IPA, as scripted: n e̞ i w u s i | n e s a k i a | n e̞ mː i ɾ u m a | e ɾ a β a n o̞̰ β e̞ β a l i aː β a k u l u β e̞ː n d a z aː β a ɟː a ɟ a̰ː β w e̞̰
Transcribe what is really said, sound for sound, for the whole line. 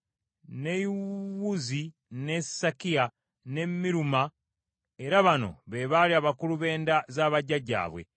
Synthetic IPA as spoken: n e̞ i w u z i | n e s a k i a | n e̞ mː i ɾ u m a | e ɾ a β a n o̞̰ β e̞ β a l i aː β a k u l u β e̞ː n d a z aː β a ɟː a ɟ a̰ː β w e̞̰